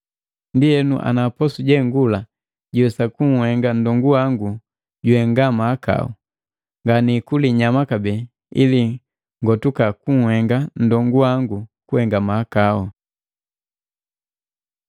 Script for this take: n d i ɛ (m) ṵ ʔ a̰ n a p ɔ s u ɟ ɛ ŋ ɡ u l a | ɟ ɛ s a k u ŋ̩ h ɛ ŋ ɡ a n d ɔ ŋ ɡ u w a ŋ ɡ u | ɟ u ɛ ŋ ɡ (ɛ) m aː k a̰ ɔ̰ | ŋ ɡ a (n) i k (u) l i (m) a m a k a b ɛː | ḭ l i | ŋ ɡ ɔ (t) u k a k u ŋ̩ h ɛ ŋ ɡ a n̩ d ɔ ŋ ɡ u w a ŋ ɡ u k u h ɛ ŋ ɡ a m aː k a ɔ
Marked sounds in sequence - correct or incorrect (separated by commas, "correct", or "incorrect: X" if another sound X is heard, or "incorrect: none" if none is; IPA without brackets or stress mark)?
incorrect: n, incorrect: a, correct, correct, incorrect: ɲ, correct